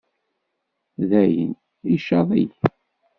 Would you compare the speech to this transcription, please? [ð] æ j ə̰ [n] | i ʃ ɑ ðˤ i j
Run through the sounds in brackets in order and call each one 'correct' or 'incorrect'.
correct, correct

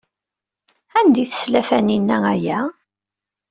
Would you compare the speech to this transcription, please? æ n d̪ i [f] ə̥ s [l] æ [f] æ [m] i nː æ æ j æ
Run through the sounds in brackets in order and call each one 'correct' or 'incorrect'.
incorrect: θ, correct, correct, incorrect: n

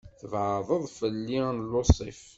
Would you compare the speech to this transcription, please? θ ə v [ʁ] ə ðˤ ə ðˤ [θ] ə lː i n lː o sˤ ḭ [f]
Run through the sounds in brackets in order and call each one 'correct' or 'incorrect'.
incorrect: ʕ, incorrect: f, correct

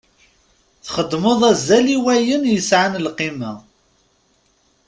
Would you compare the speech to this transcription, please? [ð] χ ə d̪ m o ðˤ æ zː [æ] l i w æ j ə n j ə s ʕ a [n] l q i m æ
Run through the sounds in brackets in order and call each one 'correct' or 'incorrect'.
incorrect: θ, correct, correct

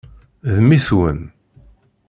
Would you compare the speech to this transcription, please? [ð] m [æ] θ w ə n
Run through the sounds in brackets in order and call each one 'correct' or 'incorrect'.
correct, incorrect: i

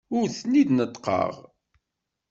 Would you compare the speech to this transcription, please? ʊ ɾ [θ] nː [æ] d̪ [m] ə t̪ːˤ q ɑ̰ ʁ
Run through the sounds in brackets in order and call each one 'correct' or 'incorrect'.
correct, incorrect: i, incorrect: n

